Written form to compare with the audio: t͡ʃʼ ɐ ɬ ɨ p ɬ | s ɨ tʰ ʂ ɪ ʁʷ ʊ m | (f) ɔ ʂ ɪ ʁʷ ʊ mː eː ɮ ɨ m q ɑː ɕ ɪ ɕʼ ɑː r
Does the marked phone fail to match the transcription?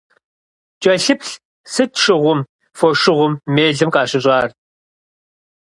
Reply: no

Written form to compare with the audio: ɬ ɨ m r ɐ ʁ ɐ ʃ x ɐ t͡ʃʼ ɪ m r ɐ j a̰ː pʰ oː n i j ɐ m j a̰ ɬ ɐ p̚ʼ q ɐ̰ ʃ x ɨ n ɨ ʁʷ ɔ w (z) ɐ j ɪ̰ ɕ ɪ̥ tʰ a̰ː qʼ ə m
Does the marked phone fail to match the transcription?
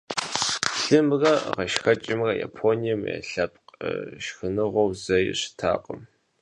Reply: no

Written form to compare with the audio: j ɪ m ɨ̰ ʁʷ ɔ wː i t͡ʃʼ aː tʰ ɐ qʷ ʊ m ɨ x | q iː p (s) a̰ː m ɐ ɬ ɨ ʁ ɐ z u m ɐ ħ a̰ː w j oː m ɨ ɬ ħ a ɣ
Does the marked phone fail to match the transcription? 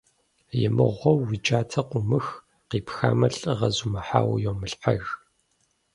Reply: yes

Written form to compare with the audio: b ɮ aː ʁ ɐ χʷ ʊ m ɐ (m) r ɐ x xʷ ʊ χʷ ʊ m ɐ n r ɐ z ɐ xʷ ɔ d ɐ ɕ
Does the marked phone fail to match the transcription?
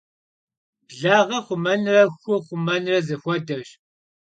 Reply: yes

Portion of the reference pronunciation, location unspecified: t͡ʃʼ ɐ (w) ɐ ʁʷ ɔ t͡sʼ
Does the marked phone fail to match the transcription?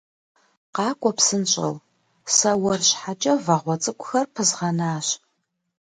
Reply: yes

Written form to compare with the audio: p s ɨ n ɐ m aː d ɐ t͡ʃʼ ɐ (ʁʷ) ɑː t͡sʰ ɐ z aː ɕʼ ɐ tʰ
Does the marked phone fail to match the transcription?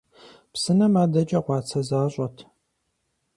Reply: no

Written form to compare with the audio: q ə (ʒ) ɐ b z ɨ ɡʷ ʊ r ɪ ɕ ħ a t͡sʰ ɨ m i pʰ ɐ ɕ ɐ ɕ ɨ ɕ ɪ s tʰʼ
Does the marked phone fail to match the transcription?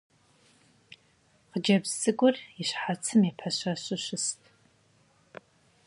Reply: yes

